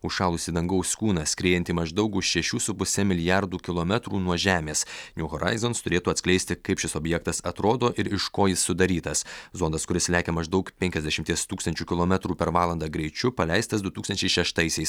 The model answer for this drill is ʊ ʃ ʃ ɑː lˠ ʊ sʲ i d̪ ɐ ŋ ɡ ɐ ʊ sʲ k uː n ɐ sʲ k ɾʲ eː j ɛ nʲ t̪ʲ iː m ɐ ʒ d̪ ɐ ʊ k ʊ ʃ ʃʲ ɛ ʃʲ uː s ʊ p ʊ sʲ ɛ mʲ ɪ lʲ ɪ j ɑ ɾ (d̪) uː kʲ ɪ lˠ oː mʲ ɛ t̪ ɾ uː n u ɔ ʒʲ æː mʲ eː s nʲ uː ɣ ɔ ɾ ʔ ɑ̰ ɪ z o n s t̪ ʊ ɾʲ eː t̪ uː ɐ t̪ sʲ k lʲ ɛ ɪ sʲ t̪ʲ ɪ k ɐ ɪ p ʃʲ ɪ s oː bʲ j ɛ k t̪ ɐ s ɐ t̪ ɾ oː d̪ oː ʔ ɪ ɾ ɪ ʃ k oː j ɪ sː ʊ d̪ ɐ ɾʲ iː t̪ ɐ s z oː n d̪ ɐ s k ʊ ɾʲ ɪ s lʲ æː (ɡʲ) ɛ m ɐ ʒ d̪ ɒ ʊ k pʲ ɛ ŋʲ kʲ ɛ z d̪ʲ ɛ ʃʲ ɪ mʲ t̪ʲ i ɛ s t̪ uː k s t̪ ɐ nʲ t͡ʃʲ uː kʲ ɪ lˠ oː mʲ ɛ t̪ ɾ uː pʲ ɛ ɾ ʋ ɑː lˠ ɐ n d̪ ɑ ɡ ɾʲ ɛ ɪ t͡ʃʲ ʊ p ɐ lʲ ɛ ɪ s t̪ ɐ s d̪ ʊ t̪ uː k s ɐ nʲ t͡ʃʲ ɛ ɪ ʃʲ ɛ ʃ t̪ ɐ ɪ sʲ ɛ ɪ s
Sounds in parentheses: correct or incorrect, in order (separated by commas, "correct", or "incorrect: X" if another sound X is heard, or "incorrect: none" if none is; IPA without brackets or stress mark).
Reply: correct, incorrect: kʲ